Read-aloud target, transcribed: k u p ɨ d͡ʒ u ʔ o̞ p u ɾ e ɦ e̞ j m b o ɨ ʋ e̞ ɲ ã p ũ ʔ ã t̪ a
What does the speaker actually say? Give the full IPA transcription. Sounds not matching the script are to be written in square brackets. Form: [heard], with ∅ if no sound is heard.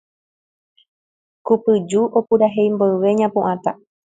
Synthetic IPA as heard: k u p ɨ d͡ʒ u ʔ o̞ p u ɾ [a] ɦ e̞ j m b o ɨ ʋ e̞ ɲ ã p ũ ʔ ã t̪ a